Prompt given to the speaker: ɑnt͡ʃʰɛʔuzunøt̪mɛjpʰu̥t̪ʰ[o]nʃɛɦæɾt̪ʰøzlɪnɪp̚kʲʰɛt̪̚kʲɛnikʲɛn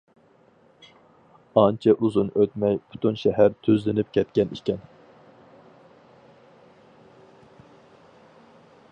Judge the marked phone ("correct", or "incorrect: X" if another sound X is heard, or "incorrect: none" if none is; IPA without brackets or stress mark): incorrect: u